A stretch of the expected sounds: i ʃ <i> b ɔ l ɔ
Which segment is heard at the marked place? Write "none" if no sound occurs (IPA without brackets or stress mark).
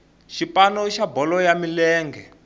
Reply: a